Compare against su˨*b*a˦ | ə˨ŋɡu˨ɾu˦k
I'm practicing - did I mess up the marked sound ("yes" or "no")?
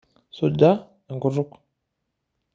yes